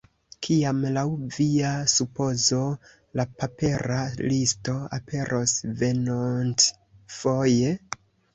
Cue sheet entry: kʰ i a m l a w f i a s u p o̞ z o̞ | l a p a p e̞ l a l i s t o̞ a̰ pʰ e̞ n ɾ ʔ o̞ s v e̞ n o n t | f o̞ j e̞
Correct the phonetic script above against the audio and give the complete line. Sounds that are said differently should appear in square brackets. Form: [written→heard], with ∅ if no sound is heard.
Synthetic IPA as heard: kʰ i a m l a w [f→v] i a s u p o̞ z o̞ | l a p a p e̞ [l→ɾ] a l i s t o̞ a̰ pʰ e̞ [n→∅] ɾ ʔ o̞ s v e̞ n o n t | f o̞ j e̞